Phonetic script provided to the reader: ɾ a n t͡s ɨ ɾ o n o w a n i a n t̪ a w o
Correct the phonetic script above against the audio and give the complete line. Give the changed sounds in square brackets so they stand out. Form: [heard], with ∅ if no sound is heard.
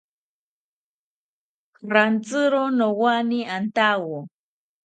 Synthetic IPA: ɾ a n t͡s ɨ ɾ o n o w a n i a n t̪ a w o